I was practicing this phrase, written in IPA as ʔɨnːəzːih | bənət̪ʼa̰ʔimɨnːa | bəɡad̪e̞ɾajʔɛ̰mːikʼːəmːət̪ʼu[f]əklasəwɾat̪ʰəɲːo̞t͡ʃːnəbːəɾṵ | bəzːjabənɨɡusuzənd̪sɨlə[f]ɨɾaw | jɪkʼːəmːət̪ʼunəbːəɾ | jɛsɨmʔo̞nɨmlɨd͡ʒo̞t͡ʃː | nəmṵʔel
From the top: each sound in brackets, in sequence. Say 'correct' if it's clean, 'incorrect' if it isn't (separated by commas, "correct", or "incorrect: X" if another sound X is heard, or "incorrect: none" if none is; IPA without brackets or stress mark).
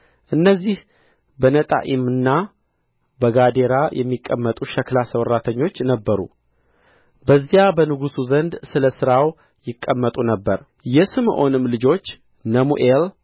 incorrect: ʃ, incorrect: s